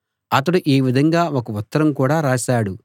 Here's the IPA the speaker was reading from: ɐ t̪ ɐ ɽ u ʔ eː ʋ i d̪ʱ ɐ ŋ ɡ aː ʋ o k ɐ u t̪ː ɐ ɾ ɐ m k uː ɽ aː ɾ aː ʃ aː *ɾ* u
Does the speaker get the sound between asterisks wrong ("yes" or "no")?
yes